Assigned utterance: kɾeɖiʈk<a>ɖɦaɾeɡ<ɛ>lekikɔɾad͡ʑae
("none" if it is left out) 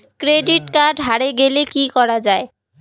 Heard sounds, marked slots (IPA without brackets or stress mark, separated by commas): a, e